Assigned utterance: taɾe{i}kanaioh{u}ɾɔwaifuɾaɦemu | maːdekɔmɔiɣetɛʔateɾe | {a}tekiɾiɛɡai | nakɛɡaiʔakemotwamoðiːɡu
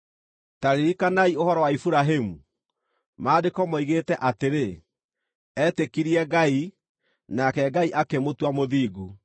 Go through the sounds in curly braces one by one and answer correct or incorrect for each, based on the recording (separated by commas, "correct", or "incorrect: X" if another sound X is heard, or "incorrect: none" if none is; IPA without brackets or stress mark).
correct, incorrect: ɔ, incorrect: ɛ